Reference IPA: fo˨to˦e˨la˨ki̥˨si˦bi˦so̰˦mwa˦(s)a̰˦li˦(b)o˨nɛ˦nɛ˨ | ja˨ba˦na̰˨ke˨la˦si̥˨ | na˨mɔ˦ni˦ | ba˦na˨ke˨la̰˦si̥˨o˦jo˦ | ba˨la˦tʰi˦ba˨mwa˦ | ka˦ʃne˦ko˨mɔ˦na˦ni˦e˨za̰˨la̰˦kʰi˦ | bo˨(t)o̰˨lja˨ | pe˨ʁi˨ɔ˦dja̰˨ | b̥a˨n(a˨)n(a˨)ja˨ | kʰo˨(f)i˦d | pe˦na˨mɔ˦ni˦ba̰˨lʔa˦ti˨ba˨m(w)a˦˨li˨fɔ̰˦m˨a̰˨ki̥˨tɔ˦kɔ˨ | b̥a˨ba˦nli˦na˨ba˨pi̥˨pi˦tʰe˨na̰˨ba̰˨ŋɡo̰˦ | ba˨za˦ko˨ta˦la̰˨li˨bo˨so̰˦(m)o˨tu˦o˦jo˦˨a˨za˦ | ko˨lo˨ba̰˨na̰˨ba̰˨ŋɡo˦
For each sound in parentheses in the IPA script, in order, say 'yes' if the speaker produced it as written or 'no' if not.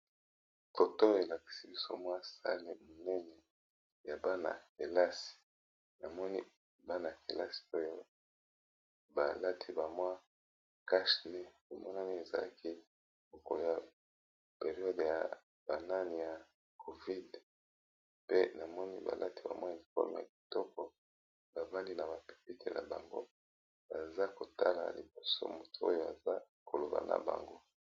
yes, no, no, no, no, no, yes, yes

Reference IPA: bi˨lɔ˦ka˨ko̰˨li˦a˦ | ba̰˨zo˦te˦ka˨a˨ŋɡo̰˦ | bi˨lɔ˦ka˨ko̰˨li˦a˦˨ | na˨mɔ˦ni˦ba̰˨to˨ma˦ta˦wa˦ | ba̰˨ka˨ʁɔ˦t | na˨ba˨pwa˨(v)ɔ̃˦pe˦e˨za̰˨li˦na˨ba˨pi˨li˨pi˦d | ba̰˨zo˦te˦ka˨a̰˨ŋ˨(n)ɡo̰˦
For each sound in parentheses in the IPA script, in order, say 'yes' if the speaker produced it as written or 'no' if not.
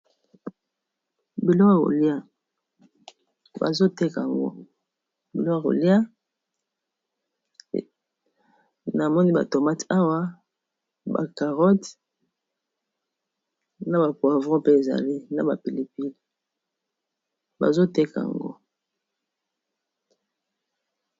yes, no

